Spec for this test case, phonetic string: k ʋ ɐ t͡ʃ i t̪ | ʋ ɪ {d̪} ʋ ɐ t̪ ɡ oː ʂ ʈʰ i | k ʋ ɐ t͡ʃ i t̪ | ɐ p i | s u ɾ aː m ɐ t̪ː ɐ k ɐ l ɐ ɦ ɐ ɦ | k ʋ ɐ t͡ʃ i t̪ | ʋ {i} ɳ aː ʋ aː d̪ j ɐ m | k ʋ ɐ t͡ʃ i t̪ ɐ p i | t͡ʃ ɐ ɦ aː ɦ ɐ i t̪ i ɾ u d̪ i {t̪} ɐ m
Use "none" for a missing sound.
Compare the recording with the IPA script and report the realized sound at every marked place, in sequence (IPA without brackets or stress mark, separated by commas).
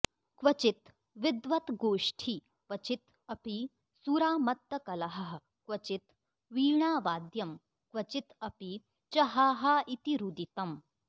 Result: d̪, iː, t̪